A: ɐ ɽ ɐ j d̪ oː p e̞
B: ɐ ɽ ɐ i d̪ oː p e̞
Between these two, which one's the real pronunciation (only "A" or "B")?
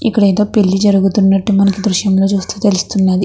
A